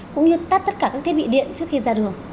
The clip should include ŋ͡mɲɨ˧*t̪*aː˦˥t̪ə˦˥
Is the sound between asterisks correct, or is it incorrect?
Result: correct